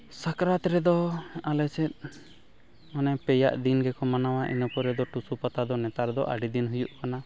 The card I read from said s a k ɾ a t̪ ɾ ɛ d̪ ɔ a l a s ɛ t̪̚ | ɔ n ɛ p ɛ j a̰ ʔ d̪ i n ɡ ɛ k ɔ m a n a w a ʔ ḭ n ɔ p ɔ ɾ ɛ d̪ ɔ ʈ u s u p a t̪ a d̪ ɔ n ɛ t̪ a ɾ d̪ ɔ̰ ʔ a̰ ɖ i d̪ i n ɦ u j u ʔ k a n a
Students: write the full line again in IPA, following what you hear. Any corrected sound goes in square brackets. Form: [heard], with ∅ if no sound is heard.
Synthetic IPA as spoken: s a k ɾ a t̪ ɾ ɛ d̪ ɔ a l [ɛ] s ɛ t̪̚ | ɔ n ɛ p ɛ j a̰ ʔ d̪ i n ɡ ɛ k ɔ m a n a w a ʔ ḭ n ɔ p ɔ ɾ ɛ d̪ ɔ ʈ u s u p a t̪ a d̪ ɔ n ɛ t̪ a ɾ d̪ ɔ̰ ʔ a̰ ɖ i d̪ i n ɦ u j u ʔ k a n a